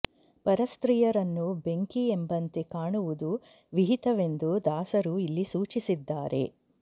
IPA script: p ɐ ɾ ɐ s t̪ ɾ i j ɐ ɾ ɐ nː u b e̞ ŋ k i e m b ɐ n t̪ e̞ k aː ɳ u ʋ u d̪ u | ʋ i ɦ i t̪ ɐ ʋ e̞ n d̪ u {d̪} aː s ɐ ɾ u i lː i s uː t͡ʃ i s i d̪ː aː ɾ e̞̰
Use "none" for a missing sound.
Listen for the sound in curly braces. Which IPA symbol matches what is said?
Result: d̪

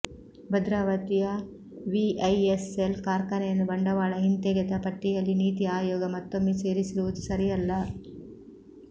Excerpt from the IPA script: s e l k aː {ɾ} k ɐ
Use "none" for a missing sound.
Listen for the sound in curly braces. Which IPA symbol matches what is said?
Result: ɾ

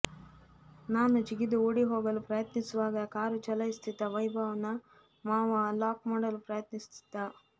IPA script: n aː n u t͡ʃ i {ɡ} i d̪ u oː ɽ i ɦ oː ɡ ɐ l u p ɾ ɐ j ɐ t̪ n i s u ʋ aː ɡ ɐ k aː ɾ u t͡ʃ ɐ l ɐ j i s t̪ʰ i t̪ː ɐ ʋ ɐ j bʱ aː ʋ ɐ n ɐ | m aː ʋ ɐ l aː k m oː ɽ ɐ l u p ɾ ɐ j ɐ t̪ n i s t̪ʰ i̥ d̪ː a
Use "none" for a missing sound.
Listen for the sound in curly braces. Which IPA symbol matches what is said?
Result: ɡ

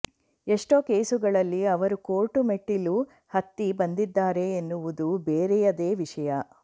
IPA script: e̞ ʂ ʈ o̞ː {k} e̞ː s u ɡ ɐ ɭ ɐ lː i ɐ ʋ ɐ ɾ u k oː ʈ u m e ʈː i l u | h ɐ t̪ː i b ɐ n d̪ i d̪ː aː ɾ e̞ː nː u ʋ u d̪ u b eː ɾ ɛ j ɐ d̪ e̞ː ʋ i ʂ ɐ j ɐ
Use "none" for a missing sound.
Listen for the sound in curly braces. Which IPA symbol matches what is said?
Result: k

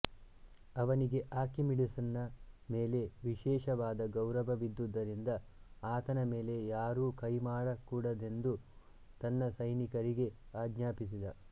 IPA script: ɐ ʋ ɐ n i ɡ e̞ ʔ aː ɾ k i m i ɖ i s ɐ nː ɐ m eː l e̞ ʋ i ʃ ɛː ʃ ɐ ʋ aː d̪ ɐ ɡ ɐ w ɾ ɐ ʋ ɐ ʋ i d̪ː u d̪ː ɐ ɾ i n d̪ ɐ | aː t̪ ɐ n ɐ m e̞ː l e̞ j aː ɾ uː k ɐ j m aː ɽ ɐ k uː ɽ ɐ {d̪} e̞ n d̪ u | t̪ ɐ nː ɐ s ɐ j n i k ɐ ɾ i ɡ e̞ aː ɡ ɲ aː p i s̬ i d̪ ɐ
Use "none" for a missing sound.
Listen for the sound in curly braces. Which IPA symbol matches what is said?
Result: d̪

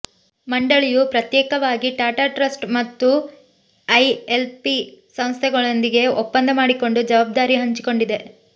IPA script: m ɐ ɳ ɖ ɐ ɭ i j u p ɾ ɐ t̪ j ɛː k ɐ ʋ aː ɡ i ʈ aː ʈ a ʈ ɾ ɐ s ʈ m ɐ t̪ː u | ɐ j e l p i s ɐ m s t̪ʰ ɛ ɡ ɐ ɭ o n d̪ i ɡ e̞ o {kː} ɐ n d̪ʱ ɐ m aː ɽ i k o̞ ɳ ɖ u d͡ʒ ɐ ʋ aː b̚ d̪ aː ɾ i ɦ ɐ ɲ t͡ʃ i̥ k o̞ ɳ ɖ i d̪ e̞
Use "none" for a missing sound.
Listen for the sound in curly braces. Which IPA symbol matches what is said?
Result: pː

